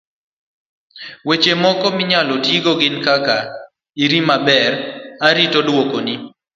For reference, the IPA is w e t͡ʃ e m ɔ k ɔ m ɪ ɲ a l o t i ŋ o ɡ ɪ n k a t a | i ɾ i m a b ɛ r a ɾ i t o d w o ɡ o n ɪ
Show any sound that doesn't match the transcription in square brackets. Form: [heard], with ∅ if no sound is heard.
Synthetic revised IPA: w e t͡ʃ e m ɔ k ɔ m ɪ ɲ a l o t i [ɡ] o ɡ ɪ n k a [k] a | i ɾ i m a b ɛ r a ɾ i t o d w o [k] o n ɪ